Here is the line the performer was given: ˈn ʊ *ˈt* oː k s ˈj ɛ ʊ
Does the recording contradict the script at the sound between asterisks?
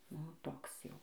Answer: no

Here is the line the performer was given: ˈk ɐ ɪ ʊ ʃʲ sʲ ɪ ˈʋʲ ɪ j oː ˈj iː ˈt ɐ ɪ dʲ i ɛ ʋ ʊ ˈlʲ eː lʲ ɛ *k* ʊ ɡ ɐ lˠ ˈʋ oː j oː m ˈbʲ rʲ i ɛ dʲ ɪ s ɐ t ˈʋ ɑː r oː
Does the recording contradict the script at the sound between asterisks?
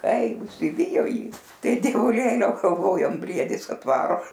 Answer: yes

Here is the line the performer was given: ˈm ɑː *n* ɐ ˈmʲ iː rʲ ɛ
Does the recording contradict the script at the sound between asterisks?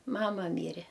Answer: yes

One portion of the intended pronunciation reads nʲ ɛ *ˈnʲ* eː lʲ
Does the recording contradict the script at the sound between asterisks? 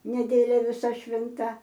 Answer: yes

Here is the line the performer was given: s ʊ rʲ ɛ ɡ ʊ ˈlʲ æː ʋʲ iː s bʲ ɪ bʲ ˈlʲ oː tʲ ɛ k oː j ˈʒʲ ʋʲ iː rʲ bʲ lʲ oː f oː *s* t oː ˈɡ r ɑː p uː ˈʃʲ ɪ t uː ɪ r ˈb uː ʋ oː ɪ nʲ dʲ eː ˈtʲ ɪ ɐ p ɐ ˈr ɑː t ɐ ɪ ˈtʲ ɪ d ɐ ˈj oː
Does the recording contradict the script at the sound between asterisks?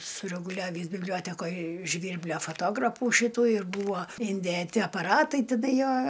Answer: yes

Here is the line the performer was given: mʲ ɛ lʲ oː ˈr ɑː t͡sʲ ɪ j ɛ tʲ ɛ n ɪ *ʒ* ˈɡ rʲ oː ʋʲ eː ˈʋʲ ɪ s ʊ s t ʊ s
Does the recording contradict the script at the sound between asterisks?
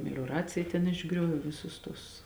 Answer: no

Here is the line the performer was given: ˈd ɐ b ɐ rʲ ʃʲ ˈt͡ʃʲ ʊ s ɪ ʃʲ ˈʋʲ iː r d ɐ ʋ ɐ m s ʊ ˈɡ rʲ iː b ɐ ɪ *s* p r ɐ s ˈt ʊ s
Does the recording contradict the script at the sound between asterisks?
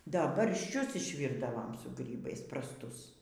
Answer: no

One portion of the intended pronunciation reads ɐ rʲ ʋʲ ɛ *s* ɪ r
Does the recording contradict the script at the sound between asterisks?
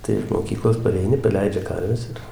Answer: no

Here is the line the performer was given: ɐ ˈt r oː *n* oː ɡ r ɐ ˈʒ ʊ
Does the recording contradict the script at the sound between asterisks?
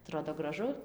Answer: yes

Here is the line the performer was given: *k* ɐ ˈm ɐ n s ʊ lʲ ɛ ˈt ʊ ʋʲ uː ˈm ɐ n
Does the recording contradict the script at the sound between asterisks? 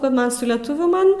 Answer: no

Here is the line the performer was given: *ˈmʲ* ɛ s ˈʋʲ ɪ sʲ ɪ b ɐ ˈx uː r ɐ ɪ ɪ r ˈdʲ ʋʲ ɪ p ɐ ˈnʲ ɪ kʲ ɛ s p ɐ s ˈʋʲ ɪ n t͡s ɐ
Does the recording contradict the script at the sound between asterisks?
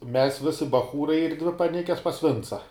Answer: no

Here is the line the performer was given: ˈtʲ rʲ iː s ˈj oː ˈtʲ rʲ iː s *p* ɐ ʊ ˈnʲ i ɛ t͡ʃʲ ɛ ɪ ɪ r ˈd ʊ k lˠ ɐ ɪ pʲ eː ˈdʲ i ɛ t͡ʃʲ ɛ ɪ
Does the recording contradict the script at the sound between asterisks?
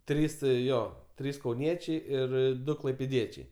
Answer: yes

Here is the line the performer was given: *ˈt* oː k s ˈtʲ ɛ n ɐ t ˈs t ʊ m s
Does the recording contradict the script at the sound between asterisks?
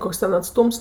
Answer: yes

